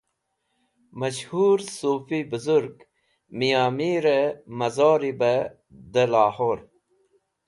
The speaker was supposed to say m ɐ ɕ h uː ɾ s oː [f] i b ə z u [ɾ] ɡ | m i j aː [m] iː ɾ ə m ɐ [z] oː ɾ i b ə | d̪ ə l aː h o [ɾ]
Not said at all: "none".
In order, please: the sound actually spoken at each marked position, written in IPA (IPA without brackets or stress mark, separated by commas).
f, ɾ, m, z, ɾ